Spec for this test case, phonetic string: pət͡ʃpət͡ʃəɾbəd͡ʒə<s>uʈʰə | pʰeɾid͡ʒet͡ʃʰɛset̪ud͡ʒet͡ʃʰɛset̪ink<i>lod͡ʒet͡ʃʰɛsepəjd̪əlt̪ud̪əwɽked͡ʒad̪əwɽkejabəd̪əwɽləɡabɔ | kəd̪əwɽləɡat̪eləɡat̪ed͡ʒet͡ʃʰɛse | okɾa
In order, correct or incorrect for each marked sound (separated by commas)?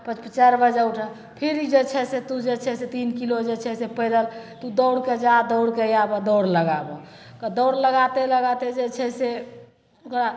incorrect, correct